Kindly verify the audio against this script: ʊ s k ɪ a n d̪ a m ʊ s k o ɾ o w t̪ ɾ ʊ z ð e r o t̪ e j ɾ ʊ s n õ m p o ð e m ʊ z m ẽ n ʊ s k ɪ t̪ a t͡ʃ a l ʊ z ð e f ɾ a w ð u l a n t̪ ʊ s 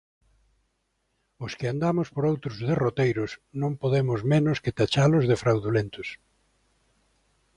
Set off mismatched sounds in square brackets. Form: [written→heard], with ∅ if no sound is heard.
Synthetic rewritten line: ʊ s k ɪ a n d̪ a m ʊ s [k→p] o ɾ o w t̪ ɾ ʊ z ð e r o t̪ e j ɾ ʊ s n õ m p o ð e m ʊ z m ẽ n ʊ s k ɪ t̪ a t͡ʃ a l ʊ z ð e f ɾ a w ð u l [a→e] n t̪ ʊ s